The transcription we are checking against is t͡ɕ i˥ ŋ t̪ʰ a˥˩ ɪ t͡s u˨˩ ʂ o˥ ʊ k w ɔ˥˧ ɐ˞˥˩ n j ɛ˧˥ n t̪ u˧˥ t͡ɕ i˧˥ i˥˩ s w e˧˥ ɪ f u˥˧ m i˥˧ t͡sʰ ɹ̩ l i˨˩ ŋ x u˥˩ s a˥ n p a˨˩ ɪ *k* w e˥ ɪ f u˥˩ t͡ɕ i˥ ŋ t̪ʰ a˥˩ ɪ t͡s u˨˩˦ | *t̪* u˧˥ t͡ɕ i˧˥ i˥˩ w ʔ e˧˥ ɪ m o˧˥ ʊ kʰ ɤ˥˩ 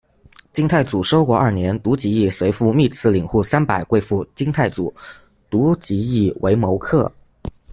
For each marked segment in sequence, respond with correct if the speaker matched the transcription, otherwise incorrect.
correct, correct

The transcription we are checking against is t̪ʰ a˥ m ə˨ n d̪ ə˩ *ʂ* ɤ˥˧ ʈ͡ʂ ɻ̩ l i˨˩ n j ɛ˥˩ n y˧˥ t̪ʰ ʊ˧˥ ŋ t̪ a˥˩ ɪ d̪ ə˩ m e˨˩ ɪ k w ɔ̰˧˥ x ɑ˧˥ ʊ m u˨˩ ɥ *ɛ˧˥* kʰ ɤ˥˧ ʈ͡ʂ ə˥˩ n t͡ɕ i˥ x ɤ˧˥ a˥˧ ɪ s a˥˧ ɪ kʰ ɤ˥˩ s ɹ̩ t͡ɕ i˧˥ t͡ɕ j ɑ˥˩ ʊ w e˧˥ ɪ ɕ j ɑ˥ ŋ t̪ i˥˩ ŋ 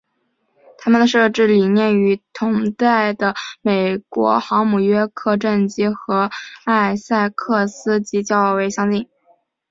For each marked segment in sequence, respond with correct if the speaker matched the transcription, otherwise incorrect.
correct, incorrect

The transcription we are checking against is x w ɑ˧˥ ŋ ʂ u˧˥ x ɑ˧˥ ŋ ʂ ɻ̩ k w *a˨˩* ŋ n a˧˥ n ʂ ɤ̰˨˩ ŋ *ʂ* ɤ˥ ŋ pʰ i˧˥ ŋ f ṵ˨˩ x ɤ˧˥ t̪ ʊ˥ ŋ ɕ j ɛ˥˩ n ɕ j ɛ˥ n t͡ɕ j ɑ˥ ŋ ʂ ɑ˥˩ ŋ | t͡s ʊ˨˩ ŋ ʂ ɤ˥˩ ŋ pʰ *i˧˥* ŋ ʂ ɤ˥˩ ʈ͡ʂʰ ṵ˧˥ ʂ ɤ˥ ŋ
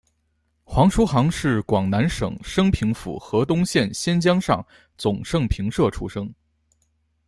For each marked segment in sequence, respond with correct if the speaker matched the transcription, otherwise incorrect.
incorrect, correct, correct

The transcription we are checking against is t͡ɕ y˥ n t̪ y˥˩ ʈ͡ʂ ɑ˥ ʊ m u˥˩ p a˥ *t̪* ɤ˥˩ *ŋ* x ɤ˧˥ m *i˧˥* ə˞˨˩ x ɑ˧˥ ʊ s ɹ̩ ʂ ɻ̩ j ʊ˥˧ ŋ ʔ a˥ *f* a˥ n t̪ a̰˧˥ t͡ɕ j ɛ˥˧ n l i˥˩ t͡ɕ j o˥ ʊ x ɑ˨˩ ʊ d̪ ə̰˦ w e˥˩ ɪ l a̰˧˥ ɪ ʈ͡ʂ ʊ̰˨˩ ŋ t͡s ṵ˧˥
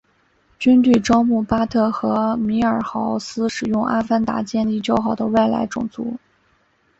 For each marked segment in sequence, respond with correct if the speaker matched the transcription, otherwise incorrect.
incorrect, incorrect, correct, correct

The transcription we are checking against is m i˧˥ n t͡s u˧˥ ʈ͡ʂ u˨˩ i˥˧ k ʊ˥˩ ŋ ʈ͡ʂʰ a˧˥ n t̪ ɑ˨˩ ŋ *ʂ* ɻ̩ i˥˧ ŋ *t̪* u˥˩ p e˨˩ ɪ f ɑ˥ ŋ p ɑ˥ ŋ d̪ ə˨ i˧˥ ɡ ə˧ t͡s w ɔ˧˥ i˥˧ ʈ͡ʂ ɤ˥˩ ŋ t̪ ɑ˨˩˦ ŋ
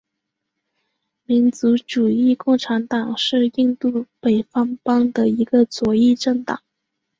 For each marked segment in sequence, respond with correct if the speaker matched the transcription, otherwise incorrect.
correct, correct

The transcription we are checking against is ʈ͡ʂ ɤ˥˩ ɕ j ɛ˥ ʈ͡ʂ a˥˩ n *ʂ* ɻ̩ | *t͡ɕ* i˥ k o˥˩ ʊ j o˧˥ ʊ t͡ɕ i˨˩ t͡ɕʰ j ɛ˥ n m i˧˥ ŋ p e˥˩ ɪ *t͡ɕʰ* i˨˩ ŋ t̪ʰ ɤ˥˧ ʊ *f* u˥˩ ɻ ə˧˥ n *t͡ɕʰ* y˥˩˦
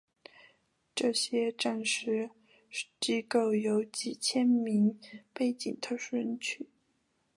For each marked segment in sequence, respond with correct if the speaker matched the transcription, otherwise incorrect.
correct, correct, incorrect, incorrect, correct

